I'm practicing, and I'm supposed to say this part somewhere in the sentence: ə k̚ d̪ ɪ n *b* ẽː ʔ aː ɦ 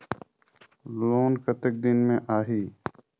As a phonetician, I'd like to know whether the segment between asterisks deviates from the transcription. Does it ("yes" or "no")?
yes